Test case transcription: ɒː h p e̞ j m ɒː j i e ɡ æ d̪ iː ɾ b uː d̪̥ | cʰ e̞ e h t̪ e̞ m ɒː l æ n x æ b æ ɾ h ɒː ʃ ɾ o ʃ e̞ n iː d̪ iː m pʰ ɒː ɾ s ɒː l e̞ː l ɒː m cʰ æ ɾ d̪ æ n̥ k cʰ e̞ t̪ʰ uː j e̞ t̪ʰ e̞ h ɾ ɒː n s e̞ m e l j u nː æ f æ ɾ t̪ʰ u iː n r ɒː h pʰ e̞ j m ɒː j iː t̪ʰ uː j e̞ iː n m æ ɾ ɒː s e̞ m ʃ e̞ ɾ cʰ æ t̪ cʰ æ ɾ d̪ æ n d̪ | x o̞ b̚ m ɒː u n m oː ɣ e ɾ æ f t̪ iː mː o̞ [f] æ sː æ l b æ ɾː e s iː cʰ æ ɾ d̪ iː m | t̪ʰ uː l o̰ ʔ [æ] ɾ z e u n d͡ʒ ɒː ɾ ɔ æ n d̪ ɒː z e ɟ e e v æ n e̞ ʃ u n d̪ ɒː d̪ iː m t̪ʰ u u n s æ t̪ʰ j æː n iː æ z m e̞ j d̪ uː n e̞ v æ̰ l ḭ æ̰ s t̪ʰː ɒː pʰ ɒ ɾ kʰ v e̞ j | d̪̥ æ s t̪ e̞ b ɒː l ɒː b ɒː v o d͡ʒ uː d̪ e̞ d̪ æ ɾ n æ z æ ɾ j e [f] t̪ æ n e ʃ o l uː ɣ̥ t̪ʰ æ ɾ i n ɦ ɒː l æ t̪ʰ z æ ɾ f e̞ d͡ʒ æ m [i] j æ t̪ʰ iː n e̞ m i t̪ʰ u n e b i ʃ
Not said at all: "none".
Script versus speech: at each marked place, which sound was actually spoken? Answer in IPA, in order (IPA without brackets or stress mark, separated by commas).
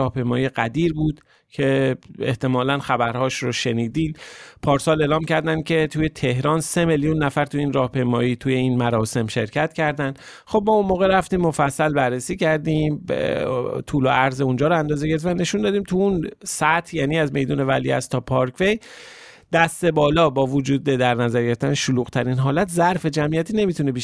f, æ, f, i